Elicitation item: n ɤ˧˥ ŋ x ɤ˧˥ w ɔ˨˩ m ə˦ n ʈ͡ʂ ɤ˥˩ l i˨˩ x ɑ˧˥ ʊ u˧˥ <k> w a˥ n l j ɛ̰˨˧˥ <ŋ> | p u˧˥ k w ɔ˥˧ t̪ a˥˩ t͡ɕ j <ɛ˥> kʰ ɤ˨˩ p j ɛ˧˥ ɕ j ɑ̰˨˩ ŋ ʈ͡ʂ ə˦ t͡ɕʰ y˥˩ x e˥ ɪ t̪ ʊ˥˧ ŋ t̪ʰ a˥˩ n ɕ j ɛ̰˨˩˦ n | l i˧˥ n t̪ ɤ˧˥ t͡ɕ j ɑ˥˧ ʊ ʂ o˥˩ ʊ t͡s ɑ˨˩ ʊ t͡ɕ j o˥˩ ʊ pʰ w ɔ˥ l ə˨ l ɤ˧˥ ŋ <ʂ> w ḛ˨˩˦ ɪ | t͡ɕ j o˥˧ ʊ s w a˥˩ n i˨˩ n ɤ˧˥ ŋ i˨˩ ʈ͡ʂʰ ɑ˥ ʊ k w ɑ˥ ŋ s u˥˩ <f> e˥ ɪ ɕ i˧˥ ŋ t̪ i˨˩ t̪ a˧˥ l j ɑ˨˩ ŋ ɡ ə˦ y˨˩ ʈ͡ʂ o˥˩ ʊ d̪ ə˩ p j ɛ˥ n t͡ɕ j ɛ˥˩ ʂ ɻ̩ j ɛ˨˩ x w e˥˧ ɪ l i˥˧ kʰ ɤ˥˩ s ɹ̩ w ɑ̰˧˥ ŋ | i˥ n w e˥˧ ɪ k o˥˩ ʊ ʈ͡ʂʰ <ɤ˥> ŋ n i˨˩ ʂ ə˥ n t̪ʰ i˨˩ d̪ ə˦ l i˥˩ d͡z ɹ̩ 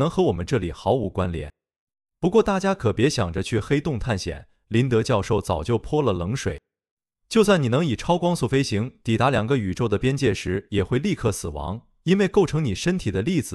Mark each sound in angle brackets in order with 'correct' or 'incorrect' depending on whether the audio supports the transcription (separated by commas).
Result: correct, incorrect, incorrect, correct, correct, incorrect